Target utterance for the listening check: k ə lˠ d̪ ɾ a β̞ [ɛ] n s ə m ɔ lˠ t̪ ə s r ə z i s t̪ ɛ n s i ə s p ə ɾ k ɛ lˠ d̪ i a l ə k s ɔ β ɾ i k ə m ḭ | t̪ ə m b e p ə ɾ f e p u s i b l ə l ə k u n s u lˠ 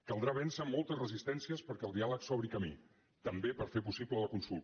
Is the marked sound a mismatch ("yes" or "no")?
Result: no